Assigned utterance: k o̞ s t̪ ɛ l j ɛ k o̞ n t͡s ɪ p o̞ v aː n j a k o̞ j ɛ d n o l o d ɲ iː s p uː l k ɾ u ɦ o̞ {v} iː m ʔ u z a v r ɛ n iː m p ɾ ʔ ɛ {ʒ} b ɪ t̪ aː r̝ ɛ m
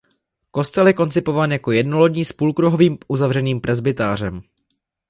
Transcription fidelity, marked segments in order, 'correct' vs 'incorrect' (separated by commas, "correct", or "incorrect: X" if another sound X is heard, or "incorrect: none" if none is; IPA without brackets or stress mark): correct, incorrect: z